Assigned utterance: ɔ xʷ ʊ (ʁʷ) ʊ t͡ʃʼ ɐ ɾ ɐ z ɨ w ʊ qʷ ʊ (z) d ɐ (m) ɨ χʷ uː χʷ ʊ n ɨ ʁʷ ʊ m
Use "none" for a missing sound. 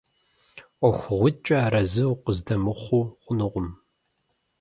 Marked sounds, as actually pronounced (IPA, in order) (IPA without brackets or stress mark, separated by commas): ʁʷ, z, m